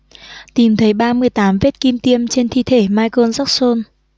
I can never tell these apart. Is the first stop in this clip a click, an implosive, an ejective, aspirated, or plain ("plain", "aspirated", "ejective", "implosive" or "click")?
plain